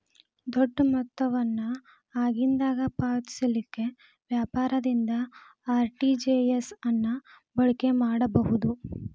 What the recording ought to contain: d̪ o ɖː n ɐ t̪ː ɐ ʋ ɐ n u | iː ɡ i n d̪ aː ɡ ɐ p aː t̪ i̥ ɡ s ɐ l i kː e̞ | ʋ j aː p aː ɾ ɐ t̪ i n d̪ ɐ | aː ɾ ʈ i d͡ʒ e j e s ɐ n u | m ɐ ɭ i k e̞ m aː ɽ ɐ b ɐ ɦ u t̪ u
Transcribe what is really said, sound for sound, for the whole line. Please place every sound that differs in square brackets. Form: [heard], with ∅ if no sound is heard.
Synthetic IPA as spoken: d̪ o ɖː [m] ɐ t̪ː ɐ ʋ ɐ [nː] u | [aː] ɡ i n d̪ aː ɡ ɐ p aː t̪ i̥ [∅] s ɐ l i kː e̞ | ʋ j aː p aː ɾ ɐ [d̪] i n d̪ ɐ | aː ɾ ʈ i d͡ʒ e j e s ɐ [nː] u | [b] ɐ ɭ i k e̞ m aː ɽ ɐ b ɐ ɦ u [d̪] u